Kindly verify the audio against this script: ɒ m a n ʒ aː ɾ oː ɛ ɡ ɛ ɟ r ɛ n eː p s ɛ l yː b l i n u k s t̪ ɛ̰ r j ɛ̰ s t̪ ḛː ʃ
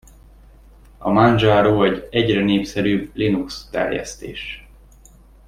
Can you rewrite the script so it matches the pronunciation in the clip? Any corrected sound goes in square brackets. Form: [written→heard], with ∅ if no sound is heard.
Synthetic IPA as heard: ɒ m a n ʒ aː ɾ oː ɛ [ɡ→ɟ] ɛ ɟ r ɛ n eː p s ɛ [l→ɾ] yː b l i n u k s t̪ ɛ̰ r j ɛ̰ s t̪ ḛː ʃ